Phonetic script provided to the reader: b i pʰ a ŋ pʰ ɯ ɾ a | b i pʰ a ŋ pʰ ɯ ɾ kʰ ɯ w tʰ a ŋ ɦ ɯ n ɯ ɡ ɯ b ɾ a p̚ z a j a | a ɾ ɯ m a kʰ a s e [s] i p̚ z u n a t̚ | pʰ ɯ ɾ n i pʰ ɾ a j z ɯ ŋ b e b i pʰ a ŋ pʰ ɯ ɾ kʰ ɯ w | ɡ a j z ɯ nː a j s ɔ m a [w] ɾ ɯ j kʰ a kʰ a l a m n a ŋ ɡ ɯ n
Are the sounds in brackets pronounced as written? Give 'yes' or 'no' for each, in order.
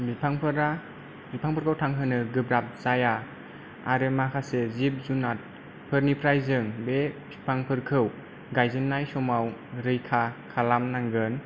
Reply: no, yes

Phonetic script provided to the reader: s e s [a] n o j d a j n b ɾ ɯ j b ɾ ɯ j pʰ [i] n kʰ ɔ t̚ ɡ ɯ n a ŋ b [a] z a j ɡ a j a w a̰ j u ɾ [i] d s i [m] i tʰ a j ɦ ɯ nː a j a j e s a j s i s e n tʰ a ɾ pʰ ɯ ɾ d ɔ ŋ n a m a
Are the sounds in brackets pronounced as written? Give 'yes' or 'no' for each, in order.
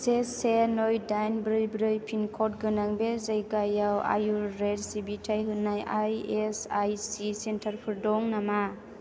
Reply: no, yes, no, no, no

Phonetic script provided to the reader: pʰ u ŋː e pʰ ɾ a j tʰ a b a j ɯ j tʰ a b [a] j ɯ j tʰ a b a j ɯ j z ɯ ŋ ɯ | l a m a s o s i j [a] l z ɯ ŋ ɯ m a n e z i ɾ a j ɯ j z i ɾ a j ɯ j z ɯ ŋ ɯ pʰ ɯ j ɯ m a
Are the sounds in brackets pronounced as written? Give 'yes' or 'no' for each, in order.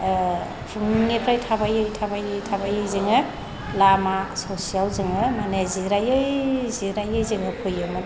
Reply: yes, yes

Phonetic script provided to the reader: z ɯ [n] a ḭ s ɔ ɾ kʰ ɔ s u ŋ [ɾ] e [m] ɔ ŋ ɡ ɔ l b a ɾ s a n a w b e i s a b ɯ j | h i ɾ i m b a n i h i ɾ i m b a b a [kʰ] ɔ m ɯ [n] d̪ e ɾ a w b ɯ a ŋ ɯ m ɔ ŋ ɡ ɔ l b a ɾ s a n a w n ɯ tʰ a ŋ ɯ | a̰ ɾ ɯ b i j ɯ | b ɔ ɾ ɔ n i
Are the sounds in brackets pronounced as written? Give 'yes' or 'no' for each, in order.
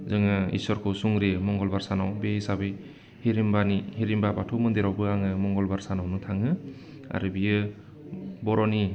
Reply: no, yes, yes, no, yes

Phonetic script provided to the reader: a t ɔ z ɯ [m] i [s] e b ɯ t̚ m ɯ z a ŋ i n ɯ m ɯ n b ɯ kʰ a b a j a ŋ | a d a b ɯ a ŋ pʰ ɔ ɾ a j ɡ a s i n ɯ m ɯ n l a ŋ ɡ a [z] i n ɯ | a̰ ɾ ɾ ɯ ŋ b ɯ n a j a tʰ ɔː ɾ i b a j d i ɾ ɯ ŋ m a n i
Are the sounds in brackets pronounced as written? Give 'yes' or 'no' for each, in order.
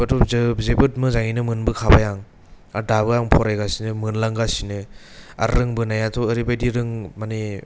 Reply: no, no, no

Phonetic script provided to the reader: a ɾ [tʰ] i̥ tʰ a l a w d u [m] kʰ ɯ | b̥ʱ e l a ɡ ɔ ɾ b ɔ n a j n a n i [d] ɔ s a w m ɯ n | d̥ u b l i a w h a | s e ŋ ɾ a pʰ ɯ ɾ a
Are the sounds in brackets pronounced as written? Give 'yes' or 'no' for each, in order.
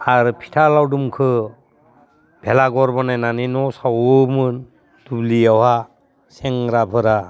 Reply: no, yes, no

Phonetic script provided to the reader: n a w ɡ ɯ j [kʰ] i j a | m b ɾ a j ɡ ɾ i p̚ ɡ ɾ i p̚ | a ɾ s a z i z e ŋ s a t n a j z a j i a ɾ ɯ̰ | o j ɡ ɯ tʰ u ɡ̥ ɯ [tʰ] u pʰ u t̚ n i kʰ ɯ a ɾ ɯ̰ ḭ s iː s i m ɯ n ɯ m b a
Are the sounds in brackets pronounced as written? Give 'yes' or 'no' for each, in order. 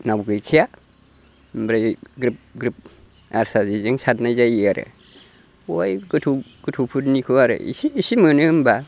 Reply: yes, yes

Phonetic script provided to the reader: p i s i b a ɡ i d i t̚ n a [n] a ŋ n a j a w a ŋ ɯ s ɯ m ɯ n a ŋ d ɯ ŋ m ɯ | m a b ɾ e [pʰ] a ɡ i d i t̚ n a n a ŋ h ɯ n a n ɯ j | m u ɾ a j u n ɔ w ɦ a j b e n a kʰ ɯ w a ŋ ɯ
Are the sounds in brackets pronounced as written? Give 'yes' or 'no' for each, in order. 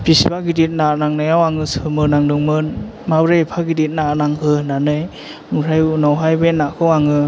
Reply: yes, yes

